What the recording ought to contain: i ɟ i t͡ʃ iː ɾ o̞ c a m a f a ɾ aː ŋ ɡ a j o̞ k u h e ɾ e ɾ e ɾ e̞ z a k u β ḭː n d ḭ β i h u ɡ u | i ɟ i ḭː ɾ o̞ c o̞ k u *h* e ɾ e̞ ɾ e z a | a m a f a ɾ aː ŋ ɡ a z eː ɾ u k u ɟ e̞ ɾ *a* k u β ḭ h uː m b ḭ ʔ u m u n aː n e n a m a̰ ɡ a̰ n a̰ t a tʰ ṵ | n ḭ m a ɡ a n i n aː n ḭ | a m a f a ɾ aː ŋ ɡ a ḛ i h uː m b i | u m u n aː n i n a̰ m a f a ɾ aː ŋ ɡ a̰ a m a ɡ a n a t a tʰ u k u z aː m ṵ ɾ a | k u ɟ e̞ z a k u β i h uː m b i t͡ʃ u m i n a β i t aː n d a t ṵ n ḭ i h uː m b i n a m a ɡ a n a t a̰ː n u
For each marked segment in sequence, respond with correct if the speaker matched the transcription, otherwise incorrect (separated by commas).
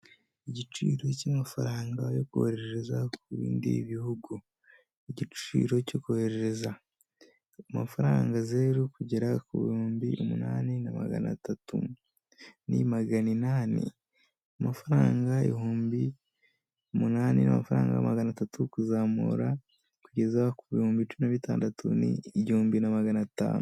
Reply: correct, correct